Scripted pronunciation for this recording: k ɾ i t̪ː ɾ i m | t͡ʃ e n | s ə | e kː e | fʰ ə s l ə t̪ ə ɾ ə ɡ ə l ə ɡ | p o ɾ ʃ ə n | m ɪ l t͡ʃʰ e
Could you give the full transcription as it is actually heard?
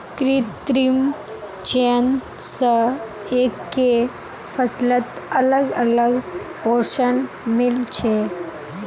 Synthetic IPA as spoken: k ɾ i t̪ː ɾ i m | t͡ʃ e n | s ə | e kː e | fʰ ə s l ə t̪ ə l ə ɡ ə l ə ɡ | p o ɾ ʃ ə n | m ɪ l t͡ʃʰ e